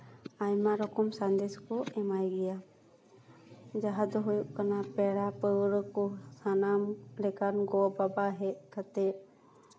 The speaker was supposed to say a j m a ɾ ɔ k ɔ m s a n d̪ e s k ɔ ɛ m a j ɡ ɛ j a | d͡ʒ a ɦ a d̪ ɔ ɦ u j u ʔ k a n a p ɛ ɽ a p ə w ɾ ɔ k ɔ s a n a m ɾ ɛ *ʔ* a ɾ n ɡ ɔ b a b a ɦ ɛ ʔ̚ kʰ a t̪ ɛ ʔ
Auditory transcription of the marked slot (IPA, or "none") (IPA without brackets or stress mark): k